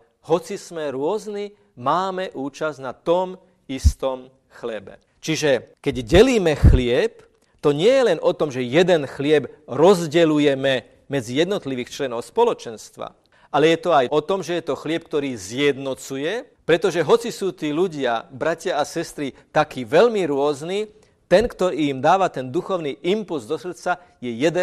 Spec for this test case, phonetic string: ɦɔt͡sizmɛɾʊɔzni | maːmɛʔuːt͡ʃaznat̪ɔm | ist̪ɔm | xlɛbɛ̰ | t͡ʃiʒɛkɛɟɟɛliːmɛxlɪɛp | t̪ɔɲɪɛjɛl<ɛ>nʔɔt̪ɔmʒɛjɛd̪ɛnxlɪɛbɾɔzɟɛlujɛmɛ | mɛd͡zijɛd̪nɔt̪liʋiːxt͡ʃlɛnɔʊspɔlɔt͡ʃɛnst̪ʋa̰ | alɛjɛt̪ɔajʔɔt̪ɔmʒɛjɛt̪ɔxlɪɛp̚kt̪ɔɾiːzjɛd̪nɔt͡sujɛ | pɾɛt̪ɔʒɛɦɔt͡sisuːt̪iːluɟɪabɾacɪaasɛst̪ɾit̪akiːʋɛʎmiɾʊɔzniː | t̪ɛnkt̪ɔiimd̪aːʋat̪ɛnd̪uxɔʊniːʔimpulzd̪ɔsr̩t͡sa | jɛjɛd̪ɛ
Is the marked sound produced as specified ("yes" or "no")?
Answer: yes